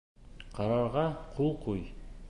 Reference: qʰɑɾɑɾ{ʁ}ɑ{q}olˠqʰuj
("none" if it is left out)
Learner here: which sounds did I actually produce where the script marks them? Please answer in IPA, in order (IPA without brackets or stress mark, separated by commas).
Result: ʁ, qʰ